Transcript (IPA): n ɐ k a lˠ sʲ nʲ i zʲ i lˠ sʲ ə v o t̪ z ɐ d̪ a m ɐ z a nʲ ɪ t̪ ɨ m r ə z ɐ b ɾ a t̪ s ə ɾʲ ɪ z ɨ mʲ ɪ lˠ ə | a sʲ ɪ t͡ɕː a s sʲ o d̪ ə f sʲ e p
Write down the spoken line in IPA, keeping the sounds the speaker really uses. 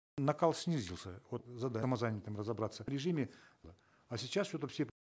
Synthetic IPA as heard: n ɐ k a lˠ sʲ nʲ i zʲ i lˠ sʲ ə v o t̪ z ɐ d̪ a m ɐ z a nʲ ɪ t̪ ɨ m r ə z ɐ b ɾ a t̪ s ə ɾʲ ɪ ʐ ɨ mʲ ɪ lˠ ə | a sʲ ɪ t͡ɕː a s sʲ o t̪ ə f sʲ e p